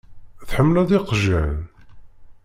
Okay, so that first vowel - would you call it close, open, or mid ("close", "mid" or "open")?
mid